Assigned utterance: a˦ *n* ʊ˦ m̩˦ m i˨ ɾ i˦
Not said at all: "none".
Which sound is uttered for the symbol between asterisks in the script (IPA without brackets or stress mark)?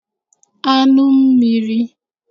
n